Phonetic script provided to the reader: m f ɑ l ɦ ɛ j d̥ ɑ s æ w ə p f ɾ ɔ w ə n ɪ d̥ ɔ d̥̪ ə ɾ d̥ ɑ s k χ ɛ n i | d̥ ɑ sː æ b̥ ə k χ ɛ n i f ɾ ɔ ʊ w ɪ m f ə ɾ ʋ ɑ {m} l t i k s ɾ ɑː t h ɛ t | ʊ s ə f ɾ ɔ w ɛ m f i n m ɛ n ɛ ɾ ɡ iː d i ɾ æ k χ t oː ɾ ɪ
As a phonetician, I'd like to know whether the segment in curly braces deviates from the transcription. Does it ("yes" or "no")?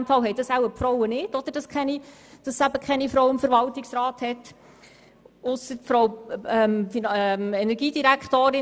yes